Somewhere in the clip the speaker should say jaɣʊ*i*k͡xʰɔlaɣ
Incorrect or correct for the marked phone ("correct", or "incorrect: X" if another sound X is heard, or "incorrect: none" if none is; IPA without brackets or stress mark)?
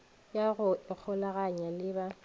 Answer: incorrect: ɪ